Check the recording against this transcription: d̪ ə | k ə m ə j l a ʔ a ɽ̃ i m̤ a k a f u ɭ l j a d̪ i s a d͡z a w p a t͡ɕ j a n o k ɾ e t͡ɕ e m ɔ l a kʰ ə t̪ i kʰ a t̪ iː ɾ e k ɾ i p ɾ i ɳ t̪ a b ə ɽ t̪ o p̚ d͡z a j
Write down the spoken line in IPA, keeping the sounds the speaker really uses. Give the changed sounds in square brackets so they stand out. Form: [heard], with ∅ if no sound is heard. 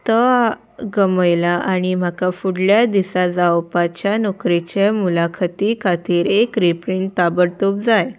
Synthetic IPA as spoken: [t̪] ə | [ɡ] ə m ə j l a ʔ a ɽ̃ i m̤ a k a f u [ɽ] l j a d̪ i s a d͡z a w p a t͡ɕ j a n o k ɾ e t͡ɕ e m [u] l a kʰ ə t̪ i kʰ a t̪ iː ɾ e k ɾ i p ɾ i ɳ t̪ a b ə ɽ t̪ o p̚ d͡z a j